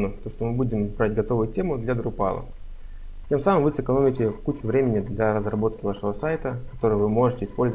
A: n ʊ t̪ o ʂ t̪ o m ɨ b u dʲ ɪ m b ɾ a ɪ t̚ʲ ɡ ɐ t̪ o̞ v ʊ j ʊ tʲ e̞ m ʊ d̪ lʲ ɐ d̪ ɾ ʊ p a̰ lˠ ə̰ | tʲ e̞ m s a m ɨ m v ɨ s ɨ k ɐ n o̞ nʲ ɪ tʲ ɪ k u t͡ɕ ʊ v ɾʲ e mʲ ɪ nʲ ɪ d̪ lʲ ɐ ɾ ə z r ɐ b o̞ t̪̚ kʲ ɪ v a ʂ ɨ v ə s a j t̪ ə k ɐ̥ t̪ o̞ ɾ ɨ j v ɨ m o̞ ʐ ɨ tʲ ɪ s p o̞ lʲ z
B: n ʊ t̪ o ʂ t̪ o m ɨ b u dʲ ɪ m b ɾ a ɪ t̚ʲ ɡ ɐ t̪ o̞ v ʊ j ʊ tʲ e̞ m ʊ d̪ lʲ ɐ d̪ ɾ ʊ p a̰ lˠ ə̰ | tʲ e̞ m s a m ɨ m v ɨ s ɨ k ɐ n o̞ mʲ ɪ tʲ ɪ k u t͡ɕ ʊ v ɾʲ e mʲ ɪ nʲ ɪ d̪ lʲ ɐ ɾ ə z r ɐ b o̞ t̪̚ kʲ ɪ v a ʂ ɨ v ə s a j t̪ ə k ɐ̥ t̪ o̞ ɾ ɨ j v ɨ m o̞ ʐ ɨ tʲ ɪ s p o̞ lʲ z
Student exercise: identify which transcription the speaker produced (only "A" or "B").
B